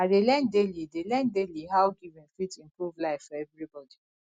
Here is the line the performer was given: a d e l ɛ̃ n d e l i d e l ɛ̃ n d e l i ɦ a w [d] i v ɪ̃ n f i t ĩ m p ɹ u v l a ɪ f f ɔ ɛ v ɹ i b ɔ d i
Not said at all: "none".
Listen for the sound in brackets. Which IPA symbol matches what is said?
ɡ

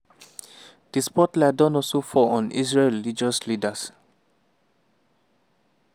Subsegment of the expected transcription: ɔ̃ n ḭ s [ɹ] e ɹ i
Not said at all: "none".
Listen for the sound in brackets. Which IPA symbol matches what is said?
ɹ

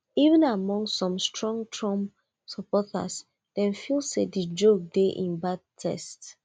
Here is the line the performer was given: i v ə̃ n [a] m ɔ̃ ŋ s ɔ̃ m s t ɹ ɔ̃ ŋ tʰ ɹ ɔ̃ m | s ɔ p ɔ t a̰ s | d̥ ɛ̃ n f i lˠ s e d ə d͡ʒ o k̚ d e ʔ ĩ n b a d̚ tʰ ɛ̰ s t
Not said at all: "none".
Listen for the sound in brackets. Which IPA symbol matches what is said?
a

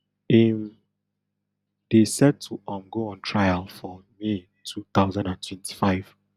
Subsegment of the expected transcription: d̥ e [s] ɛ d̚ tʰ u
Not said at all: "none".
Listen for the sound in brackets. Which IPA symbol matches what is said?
s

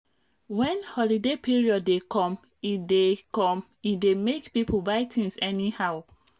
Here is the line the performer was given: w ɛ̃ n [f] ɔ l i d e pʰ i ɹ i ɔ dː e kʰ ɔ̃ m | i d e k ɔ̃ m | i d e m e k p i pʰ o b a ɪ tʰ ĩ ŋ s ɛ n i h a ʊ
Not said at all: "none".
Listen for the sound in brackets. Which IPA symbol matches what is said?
h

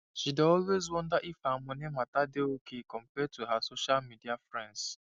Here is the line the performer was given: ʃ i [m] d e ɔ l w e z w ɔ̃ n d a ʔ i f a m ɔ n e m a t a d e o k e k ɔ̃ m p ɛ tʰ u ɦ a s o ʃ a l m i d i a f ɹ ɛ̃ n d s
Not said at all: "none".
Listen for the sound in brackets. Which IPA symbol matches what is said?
none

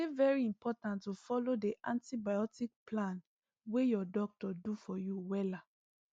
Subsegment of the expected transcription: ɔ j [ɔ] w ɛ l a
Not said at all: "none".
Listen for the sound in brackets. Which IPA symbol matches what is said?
u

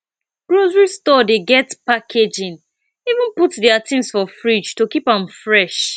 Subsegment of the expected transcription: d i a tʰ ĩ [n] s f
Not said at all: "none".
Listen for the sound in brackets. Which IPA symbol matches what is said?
m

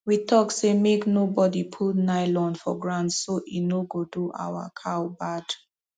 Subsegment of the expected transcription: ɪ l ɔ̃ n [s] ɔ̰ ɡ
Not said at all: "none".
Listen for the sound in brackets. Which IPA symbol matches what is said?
f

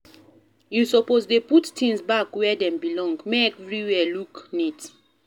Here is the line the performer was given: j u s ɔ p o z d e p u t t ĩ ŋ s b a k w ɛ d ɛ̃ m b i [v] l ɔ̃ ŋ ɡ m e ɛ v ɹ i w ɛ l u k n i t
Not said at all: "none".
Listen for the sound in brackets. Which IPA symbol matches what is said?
none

